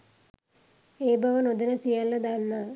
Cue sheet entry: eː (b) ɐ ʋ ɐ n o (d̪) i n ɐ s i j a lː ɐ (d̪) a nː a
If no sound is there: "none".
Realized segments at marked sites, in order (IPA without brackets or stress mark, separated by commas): b, d̪, d̪